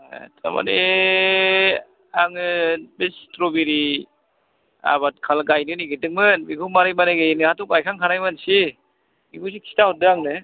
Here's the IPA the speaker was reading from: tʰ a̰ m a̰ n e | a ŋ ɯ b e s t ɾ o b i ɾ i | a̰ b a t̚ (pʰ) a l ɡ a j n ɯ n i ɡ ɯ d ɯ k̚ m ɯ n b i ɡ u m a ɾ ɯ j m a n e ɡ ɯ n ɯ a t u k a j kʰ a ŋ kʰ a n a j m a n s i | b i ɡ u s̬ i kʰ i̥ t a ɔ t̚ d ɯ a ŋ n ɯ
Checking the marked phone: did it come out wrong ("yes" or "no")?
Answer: yes